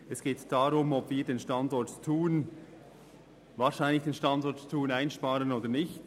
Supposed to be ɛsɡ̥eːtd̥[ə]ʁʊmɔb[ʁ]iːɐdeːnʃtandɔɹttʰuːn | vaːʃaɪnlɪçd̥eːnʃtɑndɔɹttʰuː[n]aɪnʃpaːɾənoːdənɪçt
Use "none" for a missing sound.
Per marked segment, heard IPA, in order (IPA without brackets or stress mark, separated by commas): a, v, n